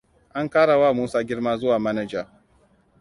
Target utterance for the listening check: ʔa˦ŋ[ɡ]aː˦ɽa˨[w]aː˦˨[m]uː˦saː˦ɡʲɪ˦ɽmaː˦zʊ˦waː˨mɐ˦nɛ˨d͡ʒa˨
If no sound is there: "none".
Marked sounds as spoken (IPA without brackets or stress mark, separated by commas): k, w, m